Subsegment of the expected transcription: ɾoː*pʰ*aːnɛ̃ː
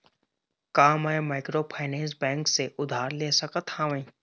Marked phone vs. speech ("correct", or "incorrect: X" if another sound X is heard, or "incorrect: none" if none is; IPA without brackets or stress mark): correct